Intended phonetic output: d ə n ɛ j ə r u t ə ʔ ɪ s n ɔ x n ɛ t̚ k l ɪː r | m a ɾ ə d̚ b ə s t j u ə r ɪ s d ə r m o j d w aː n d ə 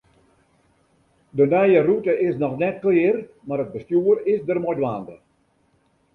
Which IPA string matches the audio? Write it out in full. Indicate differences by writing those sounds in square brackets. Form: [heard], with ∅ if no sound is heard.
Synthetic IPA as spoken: d ə n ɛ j ə r u t ə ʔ ɪ s n ɔ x n ɛ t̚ k l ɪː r | m a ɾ ə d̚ b ə s t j u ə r ɪ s d ə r m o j d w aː n d ə